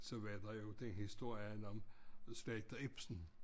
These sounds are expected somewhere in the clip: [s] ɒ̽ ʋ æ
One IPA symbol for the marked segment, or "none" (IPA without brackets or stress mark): s